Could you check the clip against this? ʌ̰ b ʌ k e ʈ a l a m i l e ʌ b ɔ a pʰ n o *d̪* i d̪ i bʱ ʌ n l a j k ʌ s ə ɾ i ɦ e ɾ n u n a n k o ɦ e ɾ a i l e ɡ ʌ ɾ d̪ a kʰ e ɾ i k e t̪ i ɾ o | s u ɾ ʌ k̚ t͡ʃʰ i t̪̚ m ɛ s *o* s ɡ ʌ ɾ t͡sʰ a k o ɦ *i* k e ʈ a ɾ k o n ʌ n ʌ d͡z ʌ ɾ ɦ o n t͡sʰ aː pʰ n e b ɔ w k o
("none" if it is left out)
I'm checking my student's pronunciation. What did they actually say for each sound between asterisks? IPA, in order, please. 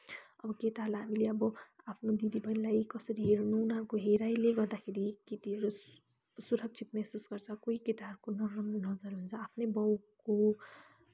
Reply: d̪, u, i

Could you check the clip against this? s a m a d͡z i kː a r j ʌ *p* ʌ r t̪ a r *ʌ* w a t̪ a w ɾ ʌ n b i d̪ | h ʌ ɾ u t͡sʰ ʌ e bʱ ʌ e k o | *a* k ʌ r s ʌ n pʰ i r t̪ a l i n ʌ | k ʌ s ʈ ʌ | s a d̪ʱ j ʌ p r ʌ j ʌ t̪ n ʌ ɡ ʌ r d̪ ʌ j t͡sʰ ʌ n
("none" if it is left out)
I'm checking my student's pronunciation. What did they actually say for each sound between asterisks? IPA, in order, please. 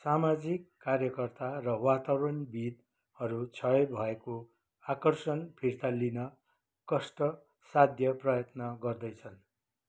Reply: k, ʌ, a

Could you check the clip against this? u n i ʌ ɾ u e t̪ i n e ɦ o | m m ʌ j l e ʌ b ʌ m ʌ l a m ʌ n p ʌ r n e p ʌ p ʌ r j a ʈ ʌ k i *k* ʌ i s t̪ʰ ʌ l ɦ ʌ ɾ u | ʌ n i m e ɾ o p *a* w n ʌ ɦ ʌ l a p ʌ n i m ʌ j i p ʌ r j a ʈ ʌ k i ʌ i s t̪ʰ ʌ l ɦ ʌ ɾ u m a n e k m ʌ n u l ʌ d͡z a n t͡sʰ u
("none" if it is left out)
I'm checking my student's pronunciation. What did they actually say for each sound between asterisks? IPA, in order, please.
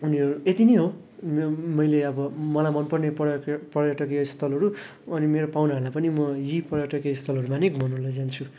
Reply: none, a

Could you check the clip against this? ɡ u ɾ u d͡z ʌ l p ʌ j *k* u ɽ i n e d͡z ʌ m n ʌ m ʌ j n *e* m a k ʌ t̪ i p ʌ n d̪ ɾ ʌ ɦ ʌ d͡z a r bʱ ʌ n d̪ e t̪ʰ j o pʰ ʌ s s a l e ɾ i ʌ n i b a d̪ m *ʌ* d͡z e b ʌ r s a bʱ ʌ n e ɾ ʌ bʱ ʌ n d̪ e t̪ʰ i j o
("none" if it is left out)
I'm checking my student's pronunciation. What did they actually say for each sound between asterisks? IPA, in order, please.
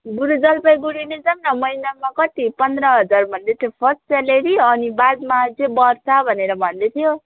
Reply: ɡ, a, a

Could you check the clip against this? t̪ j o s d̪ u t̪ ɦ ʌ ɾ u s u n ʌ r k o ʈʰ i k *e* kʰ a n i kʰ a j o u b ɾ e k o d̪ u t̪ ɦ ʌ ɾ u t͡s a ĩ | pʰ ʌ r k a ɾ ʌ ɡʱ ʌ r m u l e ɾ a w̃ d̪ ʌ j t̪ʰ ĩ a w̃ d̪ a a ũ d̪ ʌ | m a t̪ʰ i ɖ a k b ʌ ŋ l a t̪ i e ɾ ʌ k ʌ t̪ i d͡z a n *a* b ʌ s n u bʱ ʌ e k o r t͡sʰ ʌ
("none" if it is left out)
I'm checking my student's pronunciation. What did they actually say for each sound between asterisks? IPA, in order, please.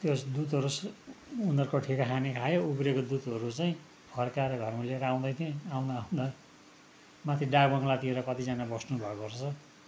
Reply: a, a

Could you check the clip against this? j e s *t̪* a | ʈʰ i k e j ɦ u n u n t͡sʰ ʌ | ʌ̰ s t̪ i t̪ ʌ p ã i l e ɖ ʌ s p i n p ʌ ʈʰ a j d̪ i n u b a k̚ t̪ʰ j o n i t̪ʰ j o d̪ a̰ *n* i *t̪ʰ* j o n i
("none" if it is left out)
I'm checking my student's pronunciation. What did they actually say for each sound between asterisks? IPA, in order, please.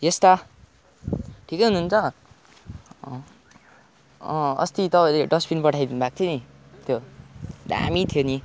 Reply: t̪, m, t̪ʰ

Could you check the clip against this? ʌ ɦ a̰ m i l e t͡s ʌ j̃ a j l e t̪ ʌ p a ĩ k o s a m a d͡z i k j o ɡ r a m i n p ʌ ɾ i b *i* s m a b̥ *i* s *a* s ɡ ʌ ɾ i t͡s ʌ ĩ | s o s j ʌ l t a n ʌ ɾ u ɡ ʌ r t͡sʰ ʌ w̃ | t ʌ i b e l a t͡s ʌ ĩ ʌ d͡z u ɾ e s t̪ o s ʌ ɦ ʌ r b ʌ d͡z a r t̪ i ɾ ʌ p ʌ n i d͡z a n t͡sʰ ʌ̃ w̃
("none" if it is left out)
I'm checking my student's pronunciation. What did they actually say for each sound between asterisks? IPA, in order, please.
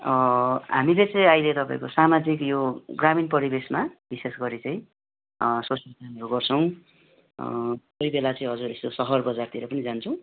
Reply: e, i, e

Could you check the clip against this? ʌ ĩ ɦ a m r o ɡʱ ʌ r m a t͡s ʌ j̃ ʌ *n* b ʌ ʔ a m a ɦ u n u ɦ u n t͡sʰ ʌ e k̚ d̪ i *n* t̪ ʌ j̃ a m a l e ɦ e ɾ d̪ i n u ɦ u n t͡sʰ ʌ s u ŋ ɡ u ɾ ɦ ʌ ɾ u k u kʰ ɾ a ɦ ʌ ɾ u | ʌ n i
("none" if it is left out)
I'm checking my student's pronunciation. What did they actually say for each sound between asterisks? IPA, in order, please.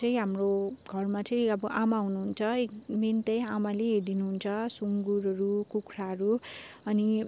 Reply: none, n

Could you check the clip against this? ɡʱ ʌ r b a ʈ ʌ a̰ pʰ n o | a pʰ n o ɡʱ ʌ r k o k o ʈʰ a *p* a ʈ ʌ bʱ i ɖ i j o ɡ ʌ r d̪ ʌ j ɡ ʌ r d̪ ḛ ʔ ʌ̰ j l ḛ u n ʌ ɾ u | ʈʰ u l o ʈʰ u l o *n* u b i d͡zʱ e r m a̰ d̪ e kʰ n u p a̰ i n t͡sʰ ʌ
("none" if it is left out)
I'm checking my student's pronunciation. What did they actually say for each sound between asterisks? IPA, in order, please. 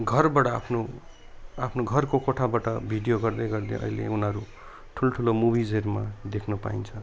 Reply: b, m

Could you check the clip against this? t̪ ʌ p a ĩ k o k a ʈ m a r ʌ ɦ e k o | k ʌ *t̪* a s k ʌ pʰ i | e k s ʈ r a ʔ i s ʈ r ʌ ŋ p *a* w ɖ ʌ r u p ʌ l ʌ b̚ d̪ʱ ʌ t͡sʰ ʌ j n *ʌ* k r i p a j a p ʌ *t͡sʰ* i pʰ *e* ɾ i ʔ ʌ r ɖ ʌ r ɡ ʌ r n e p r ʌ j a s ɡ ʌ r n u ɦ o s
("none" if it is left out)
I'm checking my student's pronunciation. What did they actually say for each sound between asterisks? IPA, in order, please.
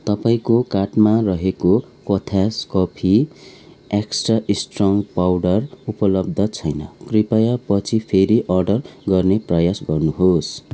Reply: t̪ʰ, a, ʌ, t͡sʰ, e

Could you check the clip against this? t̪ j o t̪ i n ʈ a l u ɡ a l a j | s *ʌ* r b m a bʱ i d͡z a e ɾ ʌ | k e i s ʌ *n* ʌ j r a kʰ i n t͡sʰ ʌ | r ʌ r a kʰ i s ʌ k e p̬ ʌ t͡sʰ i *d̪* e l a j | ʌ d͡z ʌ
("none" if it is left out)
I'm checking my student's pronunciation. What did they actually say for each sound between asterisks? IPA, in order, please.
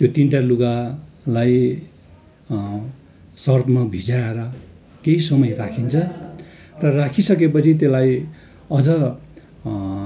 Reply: ʌ, m, t̪

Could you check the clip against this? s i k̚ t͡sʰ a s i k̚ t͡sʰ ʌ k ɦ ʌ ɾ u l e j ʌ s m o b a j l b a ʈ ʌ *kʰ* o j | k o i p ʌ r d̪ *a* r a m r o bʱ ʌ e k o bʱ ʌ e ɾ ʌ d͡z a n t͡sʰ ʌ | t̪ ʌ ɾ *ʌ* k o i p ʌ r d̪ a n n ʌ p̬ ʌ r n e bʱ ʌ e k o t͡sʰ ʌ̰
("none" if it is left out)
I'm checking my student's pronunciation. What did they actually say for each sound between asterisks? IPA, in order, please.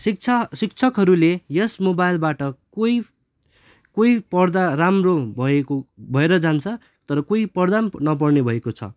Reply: k, a, ʌ

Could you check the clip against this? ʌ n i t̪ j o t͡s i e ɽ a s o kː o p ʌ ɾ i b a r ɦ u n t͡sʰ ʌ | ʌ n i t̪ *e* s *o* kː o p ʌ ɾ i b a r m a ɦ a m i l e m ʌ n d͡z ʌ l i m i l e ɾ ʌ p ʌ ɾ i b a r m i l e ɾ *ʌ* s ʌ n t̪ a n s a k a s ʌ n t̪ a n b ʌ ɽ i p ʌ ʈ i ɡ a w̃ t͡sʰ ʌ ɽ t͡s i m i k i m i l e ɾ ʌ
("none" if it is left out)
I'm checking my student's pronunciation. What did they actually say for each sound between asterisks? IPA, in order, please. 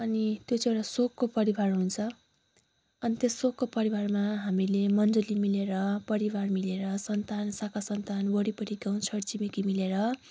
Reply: e, o, ʌ

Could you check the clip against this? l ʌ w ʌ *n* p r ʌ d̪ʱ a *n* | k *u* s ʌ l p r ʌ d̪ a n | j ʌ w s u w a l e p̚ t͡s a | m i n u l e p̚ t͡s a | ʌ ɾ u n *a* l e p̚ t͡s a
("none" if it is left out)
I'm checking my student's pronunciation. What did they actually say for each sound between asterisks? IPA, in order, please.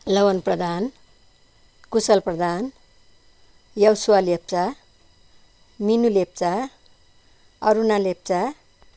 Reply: n, n, u, a

